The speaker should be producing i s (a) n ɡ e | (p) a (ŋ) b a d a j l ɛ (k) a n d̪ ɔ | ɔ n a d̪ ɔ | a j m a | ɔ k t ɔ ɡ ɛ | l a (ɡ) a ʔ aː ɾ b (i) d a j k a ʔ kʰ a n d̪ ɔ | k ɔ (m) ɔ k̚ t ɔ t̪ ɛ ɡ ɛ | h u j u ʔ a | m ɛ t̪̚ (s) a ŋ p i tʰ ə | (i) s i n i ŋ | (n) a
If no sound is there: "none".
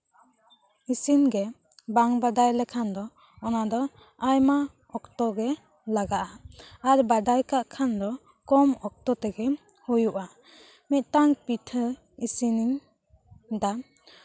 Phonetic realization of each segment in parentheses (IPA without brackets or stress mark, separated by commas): i, b, ŋ, kʰ, ɡ, a, m, t, i, d